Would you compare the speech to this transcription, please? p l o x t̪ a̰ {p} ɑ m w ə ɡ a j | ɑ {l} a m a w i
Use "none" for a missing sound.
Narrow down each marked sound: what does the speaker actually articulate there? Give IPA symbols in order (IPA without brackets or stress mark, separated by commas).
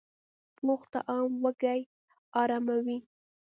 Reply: ʔ, ɾ